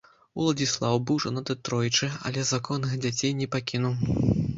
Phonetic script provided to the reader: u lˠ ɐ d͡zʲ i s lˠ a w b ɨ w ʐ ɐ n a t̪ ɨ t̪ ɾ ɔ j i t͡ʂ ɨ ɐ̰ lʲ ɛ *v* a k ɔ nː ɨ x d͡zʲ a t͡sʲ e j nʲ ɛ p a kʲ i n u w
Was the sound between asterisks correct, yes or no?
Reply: no